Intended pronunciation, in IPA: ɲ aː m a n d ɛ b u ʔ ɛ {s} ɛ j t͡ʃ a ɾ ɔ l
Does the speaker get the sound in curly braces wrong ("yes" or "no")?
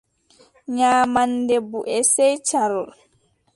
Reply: no